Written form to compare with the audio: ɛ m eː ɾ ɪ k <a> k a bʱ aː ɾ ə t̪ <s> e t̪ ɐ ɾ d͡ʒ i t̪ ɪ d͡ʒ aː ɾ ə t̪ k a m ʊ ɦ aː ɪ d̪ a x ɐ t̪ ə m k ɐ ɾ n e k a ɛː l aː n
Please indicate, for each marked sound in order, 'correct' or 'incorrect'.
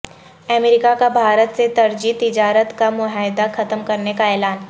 correct, correct

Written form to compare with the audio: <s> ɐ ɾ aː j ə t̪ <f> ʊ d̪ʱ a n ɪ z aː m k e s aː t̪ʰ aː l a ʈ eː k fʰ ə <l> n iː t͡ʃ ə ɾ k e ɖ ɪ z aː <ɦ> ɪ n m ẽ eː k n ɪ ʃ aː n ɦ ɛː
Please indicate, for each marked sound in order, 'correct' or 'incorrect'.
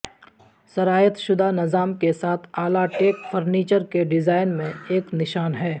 correct, incorrect: ʃ, incorrect: ɾ, incorrect: none

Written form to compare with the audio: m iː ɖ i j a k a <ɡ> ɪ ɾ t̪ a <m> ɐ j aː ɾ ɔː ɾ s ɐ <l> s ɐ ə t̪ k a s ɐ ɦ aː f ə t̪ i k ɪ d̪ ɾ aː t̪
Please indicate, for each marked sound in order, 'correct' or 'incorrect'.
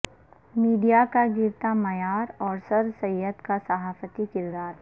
correct, correct, incorrect: ɾ

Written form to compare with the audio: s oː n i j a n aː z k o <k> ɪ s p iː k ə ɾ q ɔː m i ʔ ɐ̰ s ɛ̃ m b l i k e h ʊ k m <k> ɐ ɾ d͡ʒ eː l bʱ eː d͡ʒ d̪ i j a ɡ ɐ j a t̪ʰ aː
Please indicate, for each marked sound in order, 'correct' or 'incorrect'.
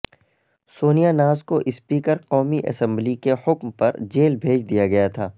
incorrect: ʔ, incorrect: p

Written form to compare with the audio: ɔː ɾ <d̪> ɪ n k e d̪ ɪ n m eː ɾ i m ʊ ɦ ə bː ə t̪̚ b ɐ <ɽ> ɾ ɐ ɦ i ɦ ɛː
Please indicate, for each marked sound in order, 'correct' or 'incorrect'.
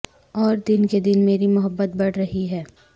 correct, correct

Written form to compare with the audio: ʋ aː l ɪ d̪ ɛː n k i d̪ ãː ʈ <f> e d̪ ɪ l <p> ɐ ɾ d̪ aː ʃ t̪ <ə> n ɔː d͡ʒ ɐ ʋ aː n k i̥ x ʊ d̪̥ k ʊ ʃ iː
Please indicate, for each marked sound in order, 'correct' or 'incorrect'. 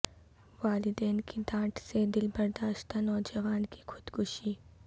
incorrect: s, incorrect: b, incorrect: a

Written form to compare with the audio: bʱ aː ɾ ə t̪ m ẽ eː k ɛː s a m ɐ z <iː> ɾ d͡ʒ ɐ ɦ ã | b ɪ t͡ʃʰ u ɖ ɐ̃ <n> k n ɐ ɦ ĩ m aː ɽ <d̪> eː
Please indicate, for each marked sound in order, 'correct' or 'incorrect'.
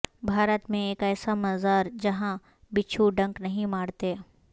incorrect: aː, incorrect: ŋ, incorrect: t̪

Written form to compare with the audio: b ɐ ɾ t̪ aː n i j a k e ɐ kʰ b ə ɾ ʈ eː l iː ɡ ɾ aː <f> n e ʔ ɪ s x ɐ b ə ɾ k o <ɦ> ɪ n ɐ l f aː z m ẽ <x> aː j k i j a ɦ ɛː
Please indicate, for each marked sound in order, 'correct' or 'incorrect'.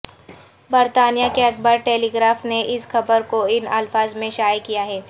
correct, incorrect: none, incorrect: ʃ

